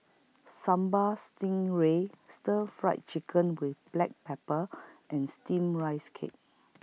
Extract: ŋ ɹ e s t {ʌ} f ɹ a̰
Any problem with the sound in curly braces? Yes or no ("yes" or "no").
yes